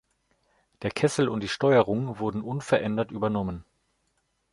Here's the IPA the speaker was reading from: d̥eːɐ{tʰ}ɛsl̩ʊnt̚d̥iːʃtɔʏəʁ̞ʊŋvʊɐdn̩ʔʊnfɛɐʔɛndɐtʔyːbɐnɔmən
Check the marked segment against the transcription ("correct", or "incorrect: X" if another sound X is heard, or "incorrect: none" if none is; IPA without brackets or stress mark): incorrect: kʰ